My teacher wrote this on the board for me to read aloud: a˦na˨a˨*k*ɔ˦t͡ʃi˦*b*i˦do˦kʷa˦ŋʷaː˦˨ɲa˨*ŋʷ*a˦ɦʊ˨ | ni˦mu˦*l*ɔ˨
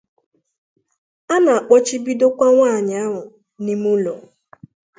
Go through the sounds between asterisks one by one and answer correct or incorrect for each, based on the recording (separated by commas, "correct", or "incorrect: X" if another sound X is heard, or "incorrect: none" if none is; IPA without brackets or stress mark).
incorrect: k͡p, correct, incorrect: none, correct